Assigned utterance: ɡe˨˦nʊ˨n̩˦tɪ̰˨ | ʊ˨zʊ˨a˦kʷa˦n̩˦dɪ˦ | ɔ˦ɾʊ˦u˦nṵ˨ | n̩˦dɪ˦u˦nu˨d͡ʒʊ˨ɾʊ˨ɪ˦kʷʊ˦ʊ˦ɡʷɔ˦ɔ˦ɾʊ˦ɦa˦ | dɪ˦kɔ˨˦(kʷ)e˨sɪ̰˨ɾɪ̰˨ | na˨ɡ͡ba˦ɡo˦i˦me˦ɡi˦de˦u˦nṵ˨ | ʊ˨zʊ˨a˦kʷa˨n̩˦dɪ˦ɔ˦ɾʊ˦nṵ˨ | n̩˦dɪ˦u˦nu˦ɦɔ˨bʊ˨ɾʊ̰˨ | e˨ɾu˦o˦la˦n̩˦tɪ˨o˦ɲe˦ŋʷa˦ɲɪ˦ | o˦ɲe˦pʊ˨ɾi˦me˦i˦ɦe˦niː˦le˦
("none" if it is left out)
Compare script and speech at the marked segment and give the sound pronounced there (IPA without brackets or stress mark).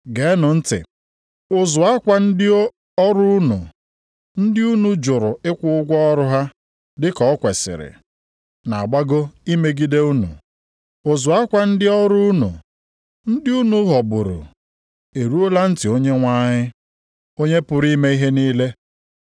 kʷ